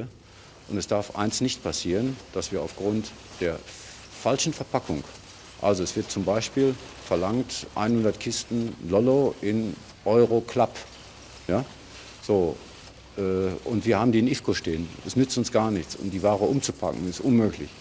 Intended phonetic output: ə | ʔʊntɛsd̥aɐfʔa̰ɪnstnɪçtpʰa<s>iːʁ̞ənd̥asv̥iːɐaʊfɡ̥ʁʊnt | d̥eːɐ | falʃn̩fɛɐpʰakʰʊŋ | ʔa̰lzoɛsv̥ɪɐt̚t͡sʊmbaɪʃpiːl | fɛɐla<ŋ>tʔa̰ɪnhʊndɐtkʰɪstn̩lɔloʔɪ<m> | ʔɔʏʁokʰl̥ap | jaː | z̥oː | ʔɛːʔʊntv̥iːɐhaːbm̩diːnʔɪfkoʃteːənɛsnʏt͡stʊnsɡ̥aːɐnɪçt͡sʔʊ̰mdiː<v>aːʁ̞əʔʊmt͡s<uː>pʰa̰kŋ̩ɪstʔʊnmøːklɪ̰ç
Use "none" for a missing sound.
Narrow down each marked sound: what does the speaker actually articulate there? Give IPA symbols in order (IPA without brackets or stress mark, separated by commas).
s, ŋ, n, v, u